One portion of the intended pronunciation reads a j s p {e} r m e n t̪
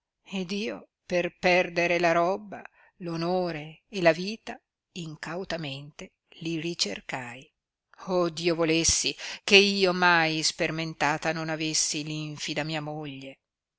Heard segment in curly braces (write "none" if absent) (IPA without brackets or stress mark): e